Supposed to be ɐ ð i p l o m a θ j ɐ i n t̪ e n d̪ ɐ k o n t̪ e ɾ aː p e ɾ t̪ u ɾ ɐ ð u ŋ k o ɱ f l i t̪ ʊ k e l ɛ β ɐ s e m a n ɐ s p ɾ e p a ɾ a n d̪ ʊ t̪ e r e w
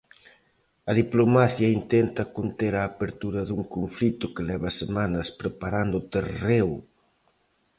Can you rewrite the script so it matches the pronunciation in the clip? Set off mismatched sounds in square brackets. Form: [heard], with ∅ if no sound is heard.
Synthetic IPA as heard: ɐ ð i p l o m a θ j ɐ i n t̪ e n [t̪] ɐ k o n t̪ e ɾ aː p e ɾ t̪ u ɾ ɐ ð u ŋ k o ɱ f l i t̪ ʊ k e l ɛ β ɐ s e m a n ɐ s p ɾ e p a ɾ a n d̪ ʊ t̪ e r e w